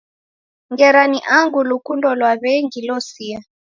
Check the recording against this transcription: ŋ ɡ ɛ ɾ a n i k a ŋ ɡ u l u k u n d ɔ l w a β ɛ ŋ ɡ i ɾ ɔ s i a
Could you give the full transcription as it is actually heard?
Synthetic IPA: ŋ ɡ ɛ ɾ a n i ʔ a ŋ ɡ u l u k u n d ɔ l w a β ɛ ŋ ɡ i l ɔ s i a